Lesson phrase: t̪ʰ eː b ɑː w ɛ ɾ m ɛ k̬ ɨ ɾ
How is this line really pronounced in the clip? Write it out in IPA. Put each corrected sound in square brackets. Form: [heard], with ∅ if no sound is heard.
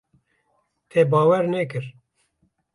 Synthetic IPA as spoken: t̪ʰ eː b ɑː w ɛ ɾ [n] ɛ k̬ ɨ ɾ